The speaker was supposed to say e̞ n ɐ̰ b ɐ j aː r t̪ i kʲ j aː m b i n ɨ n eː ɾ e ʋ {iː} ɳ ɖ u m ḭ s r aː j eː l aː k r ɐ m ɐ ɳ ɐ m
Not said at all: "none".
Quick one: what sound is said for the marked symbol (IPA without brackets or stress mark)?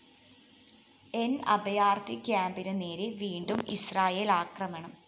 iː